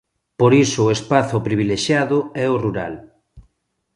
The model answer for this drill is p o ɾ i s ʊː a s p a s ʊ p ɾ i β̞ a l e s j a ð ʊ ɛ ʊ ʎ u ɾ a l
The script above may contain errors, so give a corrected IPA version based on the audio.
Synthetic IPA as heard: p o ɾ i s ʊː e s p a θ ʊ p ɾ i β̞ i l e ʃ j a ð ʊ ɛ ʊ r u ɾ a l